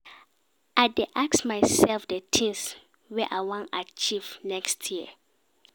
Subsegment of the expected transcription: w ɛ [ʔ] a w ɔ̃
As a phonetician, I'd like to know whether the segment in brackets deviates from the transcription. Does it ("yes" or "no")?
no